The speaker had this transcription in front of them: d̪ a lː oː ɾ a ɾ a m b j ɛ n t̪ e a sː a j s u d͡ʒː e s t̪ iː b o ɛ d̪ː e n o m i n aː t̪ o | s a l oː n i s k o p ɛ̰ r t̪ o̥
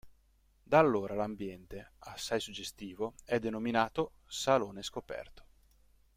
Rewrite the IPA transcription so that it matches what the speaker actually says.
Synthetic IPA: d̪ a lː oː ɾ a l a m b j ɛ n t̪ e a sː a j s u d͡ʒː e s t̪ iː v o ɛ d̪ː e n o m i n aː t̪ o | s a l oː n e s k o p ɛ̰ r t̪ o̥

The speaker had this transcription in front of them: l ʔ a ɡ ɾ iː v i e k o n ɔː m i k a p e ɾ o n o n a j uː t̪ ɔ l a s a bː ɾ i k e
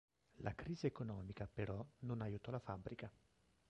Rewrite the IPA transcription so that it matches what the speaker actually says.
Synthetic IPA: l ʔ a k ɾ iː z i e k o n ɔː m i k a p e ɾ ɔ n o n a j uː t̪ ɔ l a f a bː ɾ i k a

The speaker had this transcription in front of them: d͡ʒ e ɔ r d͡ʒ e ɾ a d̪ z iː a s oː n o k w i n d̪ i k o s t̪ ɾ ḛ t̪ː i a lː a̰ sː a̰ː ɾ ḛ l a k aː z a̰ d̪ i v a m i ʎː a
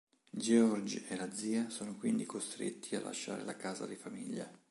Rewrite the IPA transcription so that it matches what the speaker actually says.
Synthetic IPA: d͡ʒ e ɔ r d͡ʒ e l a d̪ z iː a s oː n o k w i n d̪ i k o s t̪ ɾ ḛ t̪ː i a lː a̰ ʃː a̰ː ɾ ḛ l a k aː z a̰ d̪ i f a m i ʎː a

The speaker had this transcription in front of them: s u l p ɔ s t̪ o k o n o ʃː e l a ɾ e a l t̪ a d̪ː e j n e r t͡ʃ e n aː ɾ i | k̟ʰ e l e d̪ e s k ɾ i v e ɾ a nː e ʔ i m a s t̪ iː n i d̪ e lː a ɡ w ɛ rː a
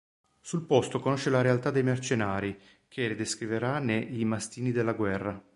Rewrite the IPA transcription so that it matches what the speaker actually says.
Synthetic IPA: s u l p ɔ s t̪ o k o n o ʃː e l a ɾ e a l t̪ a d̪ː e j m e r t͡ʃ e n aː ɾ i | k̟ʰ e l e d̪ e s k ɾ i v e ɾ a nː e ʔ i m a s t̪ iː n i d̪ e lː a ɡ w ɛ rː a

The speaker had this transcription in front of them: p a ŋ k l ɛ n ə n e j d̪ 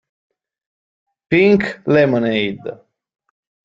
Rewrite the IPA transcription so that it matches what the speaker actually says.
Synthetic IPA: p i ŋ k l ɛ m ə n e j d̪

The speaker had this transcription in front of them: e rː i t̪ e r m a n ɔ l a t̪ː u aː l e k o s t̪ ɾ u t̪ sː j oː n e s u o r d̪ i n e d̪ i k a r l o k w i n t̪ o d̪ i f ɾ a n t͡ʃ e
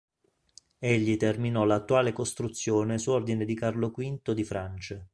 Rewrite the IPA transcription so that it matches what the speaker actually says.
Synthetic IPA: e ʎː i t̪ e r m i n ɔ l a t̪ː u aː l e k o s t̪ ɾ u t̪ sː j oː n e s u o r d̪ i n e d̪ i k a r l o k w i n t̪ o d̪ i f ɾ a n t͡ʃ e

